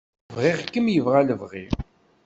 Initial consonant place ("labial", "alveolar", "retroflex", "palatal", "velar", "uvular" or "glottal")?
labial